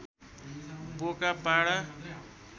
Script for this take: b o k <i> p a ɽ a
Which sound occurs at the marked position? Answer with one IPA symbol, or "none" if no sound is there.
a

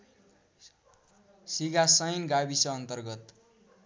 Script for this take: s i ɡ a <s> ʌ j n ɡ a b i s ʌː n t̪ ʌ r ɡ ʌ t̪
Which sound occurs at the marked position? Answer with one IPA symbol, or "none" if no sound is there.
s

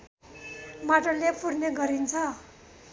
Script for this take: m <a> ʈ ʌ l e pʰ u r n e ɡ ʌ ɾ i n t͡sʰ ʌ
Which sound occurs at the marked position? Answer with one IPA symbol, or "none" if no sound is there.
a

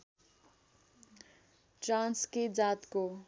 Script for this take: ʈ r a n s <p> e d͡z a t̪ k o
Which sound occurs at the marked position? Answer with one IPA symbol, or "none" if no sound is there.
k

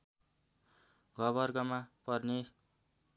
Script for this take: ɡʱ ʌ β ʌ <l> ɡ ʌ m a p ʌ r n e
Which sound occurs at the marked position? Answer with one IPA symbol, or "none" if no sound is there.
r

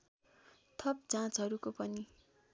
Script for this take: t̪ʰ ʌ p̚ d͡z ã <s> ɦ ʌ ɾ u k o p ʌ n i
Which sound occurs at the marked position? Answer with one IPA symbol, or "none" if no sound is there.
t͡s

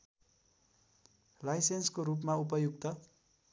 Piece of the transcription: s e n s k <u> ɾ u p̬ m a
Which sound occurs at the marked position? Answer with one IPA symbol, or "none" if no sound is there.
o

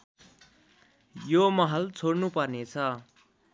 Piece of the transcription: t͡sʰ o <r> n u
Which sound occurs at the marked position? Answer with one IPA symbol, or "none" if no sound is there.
ɽ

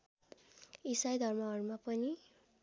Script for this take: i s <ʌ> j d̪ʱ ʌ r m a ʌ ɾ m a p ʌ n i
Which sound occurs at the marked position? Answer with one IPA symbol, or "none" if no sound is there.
a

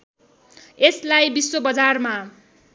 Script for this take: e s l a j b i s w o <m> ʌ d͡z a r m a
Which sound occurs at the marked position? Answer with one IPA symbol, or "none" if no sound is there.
b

